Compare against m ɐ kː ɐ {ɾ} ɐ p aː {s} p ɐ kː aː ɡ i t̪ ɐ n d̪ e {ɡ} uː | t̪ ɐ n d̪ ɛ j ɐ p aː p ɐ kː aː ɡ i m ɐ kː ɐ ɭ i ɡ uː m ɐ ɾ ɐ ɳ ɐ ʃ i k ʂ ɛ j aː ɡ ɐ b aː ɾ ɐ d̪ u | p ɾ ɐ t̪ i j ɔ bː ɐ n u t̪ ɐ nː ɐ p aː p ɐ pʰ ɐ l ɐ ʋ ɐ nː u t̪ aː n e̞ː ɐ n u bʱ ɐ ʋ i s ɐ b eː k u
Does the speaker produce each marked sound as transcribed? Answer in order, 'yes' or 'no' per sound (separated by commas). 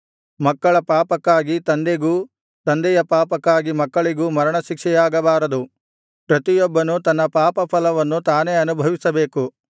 no, no, yes